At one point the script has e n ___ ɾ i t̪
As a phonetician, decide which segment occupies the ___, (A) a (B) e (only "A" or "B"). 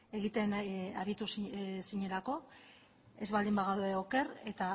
A